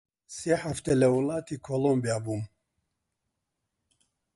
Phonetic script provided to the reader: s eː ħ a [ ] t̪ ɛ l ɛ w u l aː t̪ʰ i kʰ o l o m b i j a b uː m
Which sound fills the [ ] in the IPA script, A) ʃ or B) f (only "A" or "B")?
B